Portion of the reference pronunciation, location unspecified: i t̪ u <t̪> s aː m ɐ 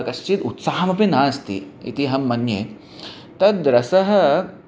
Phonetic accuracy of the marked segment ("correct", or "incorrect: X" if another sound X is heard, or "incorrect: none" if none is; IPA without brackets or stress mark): correct